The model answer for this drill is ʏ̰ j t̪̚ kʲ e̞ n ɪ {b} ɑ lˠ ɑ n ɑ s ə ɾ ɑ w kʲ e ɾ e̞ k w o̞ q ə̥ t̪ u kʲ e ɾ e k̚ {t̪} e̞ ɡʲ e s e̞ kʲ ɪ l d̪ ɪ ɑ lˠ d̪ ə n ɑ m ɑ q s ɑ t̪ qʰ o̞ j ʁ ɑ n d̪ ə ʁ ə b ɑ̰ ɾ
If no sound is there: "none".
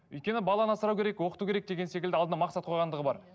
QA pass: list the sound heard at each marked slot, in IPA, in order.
b, d̪

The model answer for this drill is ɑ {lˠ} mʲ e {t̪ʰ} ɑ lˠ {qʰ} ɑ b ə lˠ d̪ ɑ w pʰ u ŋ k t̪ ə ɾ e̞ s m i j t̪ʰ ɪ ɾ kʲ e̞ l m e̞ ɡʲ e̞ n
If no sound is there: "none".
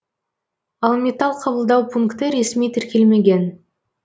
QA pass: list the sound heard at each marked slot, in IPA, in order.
lˠ, t̪, qʰ

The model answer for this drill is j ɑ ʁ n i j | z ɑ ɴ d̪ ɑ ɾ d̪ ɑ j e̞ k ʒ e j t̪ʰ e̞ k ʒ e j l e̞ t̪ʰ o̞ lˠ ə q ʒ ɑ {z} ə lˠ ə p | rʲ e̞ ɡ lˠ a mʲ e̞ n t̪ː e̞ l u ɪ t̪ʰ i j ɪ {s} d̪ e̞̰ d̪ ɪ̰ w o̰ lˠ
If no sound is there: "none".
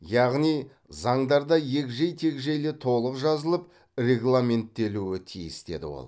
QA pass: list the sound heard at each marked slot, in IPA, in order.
z, s

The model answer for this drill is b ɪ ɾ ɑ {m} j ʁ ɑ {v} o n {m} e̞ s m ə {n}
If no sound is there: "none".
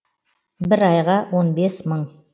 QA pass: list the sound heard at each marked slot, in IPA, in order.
none, w, b, ɴ

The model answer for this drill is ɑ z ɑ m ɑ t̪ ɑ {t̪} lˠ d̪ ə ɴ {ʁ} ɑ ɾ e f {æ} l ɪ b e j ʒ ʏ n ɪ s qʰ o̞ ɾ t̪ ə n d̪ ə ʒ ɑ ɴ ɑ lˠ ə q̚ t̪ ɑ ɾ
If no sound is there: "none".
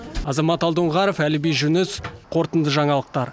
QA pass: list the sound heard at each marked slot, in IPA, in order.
none, ʁ, æ

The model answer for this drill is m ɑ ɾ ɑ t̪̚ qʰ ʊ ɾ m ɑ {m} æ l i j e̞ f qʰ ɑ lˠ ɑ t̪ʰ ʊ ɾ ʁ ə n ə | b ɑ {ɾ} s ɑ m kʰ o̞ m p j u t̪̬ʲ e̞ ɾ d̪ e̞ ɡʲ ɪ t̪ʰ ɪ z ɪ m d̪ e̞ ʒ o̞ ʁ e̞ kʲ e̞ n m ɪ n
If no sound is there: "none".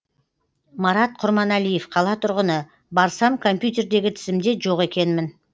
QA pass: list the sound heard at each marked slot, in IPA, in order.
n, ɾ

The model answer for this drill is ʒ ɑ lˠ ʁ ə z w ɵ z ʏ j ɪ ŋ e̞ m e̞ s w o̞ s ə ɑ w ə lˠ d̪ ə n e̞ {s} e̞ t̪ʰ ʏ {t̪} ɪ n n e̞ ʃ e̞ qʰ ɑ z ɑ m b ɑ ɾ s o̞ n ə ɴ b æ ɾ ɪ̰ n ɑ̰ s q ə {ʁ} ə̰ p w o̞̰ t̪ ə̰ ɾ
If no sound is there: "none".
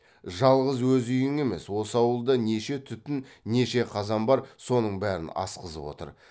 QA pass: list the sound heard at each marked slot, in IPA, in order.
ʃ, t̪, z

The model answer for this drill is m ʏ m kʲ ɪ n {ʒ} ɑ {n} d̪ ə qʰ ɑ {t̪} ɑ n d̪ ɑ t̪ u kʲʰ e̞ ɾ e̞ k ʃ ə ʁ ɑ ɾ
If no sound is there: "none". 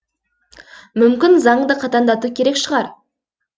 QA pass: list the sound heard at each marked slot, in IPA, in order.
z, ɴ, t̪

